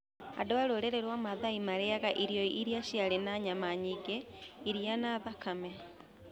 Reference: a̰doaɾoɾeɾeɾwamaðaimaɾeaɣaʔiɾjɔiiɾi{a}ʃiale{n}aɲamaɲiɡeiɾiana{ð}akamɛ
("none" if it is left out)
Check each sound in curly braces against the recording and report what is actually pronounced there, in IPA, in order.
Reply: a, n, ð

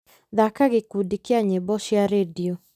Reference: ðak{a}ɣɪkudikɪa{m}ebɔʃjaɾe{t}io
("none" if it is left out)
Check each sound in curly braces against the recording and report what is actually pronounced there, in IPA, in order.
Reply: a, ɲ, d

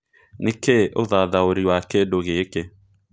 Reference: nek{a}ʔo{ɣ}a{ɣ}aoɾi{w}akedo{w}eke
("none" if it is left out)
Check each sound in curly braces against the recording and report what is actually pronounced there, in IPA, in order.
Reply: e, ð, ð, w, ɣ

